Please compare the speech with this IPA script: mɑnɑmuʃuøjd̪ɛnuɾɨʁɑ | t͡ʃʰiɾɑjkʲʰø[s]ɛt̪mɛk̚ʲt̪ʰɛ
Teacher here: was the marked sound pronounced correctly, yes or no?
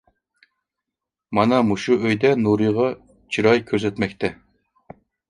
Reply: no